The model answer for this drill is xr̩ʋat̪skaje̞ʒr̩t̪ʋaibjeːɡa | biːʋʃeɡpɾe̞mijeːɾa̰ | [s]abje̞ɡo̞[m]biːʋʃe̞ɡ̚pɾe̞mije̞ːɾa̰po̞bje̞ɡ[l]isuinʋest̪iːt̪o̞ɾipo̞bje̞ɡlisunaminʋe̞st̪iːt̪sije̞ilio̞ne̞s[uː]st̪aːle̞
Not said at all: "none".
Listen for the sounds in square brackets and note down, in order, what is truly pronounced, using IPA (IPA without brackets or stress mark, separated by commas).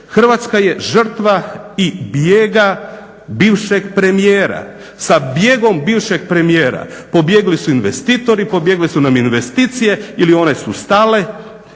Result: s, m, l, u